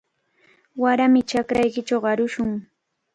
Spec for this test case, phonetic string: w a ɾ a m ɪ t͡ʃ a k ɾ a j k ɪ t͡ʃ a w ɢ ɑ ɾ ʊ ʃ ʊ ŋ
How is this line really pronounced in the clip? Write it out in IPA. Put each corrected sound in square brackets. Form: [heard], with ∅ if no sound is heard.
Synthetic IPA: w a ɾ a m ɪ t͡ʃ a k ɾ a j k ɪ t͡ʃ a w ɢ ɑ ɾ ʊ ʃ ʊ ŋ